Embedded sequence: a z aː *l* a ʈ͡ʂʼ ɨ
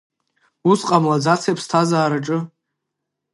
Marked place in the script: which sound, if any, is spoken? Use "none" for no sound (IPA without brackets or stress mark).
ɾ